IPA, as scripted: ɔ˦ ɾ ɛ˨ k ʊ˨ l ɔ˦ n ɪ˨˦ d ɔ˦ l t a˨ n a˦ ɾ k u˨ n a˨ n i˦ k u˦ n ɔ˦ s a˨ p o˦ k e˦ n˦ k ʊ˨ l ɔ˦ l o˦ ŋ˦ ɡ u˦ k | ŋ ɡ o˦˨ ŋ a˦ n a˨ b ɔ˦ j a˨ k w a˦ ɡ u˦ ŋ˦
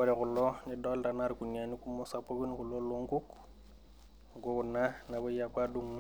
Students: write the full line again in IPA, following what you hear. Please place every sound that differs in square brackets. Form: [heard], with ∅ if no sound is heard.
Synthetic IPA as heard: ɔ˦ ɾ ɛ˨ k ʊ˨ l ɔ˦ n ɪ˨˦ d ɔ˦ l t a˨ n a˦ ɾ k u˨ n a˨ n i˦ k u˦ [m] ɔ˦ s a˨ p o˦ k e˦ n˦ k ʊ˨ l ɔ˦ l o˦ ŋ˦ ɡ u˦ k | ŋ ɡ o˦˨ [n] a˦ n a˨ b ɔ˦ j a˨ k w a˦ [d] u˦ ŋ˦